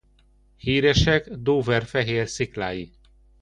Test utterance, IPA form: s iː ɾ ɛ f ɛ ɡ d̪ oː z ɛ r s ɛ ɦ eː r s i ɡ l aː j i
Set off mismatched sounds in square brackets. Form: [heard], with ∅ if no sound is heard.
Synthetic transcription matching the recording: [h] iː ɾ ɛ [ʃ] ɛ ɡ d̪ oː [v] ɛ r [f] ɛ ɦ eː r s i [k] l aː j i